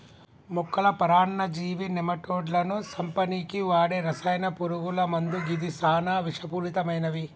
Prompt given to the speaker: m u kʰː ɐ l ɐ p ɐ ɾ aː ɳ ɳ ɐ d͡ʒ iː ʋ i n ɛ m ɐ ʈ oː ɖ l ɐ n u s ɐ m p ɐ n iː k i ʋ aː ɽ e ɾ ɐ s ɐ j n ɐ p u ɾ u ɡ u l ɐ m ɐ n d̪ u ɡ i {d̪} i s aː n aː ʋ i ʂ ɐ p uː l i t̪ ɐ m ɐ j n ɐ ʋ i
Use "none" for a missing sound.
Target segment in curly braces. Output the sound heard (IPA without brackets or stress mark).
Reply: d̪